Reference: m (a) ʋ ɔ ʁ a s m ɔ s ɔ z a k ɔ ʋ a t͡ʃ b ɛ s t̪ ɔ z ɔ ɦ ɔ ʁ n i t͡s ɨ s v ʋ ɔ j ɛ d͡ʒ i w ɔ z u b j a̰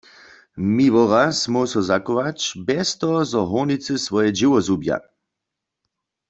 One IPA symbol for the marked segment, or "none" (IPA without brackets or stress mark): i